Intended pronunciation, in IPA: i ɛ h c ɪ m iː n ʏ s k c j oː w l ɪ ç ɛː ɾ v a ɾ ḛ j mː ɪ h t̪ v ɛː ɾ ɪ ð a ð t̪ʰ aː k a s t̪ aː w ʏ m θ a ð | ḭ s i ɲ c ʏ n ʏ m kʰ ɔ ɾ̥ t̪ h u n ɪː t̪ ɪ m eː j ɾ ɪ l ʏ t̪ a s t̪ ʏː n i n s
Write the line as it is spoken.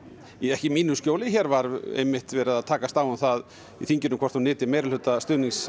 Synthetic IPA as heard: i ɛ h c ɪ m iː n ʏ s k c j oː w l ɪ ç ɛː ɾ v a ɾ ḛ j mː ɪ h t̪ v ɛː ɾ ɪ ð a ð t̪ʰ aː k a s t̪ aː w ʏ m θ a ð | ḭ θ i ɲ c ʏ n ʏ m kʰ ɔ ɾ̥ t̪ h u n ɪː t̪ ɪ m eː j ɾ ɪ l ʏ t̪ a s t̪ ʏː n i ŋ s